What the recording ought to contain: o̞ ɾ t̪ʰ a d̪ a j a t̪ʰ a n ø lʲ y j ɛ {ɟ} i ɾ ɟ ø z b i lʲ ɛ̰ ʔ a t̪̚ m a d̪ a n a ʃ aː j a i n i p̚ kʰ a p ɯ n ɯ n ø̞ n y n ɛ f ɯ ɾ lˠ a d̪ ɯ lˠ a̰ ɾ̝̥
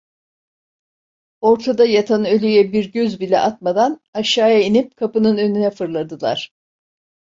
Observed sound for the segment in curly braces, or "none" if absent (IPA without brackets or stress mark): b